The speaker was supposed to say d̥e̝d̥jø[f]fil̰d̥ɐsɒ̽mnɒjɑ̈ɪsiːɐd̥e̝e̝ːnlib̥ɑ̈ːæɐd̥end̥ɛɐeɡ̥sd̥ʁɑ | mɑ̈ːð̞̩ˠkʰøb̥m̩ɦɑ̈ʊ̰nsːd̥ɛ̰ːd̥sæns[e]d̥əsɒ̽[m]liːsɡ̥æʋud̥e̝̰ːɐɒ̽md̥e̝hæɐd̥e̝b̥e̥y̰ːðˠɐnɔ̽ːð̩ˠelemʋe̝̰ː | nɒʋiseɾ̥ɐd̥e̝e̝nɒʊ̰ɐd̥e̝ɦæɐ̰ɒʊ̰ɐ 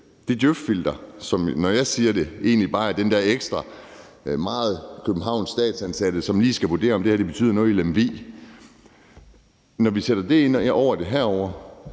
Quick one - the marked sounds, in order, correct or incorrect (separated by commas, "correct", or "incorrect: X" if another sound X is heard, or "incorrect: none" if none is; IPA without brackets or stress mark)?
correct, incorrect: æ, correct